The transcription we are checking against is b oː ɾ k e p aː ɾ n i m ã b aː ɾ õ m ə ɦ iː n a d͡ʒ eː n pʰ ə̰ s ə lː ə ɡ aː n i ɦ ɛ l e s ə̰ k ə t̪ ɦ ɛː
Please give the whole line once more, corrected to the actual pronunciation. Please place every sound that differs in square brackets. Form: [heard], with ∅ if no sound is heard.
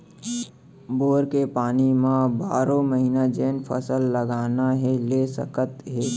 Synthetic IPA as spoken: b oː ɾ k e p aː [∅] n i m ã b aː ɾ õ m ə ɦ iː n a d͡ʒ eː n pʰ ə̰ s ə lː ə ɡ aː n [a] ɦ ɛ l e s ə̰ k ə t̪ ɦ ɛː